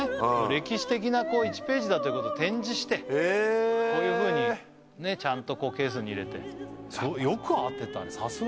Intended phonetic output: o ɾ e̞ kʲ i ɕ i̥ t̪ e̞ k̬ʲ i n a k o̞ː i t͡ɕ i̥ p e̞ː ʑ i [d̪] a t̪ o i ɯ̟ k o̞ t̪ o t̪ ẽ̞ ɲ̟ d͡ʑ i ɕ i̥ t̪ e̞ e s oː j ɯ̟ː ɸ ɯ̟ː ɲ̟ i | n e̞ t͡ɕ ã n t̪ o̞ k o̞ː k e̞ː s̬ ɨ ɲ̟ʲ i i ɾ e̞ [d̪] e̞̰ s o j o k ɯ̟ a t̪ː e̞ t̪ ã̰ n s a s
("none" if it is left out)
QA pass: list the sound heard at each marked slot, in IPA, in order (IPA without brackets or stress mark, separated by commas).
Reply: d̪, t̪